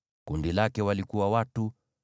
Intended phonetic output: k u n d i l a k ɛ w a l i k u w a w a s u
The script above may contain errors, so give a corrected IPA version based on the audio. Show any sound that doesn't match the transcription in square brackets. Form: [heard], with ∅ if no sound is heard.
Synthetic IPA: k u n d i l a k ɛ w a l i k u w a w a [t] u